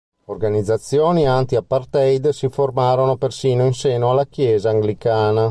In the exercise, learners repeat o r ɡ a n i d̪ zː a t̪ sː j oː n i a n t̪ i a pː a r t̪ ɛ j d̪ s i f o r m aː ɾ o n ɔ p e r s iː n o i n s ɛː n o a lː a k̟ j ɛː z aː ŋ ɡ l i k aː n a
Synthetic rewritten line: o r ɡ a n i d̪ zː a t̪ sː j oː n i a n t̪ i a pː a r t̪ ɛ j d̪ s i f o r m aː ɾ o n o p e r s iː n o i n s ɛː n o a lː a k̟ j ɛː z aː ŋ ɡ l i k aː n a